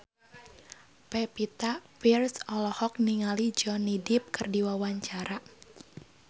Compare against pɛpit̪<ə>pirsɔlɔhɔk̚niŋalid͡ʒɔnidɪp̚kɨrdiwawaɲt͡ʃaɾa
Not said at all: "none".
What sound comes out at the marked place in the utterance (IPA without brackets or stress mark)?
a